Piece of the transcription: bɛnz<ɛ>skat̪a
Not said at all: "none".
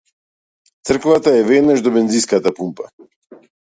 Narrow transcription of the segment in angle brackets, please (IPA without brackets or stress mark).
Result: i